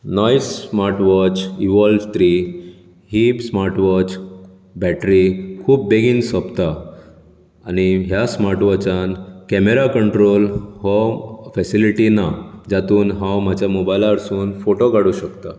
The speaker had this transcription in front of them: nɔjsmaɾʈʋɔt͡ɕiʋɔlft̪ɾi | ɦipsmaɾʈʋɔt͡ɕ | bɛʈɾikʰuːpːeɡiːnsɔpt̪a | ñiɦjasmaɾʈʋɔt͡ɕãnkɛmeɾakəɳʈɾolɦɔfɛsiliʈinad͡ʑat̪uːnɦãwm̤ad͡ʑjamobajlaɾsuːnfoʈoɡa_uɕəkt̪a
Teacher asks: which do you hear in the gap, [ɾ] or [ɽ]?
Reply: ɽ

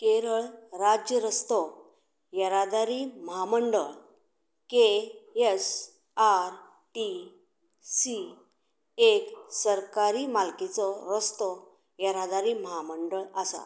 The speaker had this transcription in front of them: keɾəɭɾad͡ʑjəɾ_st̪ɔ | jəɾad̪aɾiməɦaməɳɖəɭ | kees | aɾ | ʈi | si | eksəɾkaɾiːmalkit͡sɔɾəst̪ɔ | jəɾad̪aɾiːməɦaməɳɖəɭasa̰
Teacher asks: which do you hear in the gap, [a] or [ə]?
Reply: ə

